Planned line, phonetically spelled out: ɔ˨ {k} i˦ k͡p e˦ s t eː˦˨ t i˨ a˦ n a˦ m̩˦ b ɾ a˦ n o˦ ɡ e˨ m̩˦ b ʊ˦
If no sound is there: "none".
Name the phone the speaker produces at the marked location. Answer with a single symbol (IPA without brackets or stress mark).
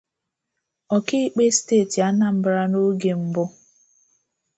k